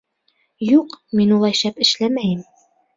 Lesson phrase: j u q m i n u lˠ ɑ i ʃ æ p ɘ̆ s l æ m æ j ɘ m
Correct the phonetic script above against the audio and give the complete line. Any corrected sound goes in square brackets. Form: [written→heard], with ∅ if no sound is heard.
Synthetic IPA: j u q m i n u lˠ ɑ [i→j] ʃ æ p ɘ̆ [s→ʃ] l æ m æ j ɘ m